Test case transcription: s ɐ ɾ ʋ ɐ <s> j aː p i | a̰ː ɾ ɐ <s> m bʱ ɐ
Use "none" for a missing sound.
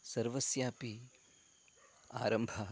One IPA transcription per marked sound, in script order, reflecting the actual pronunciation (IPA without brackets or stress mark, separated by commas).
s, none